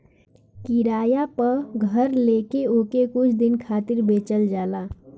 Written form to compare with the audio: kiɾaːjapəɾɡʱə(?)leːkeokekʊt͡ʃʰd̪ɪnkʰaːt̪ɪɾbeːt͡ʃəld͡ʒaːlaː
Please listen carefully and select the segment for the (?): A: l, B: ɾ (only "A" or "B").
B